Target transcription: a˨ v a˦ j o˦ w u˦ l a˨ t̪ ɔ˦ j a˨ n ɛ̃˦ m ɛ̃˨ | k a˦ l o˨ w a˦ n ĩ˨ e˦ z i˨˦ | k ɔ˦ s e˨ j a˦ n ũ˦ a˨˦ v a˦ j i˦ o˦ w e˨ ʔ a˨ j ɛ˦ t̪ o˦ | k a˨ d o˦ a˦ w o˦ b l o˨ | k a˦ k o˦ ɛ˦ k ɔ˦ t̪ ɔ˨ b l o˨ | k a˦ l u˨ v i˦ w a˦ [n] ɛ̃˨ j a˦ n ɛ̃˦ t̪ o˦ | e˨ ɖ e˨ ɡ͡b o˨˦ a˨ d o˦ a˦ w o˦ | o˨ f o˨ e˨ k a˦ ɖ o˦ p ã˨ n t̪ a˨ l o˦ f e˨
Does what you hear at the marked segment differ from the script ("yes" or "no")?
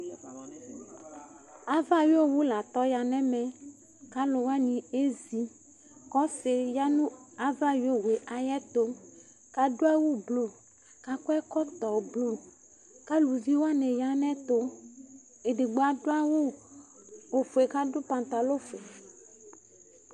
no